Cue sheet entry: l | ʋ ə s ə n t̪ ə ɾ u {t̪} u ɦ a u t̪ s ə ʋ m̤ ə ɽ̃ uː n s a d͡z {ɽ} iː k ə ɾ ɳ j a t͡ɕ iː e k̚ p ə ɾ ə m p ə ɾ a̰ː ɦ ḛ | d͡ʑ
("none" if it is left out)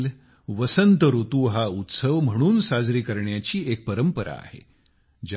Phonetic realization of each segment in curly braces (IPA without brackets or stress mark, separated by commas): t̪, ɾ